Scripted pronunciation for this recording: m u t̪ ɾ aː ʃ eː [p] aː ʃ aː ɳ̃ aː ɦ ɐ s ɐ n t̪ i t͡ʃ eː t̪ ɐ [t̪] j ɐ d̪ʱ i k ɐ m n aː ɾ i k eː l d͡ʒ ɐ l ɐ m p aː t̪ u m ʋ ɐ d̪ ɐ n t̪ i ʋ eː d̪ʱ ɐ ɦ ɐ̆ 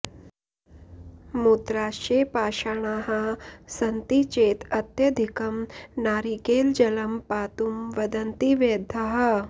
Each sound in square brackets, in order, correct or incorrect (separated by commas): correct, correct